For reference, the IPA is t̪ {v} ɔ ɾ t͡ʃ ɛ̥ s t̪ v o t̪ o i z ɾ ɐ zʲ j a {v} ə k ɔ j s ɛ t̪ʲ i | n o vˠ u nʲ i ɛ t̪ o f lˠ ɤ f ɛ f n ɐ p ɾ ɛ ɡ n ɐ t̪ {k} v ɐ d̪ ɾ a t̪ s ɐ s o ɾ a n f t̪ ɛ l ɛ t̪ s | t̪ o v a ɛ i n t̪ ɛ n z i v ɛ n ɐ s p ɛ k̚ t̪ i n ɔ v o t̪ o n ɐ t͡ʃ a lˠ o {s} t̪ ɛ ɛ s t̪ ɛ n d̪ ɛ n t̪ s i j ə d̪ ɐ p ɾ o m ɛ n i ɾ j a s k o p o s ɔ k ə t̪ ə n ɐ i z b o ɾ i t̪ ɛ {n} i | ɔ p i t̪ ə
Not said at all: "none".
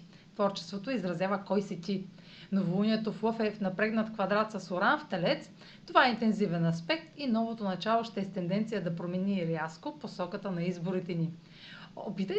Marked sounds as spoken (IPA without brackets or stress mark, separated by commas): v, v, k, ʃ, n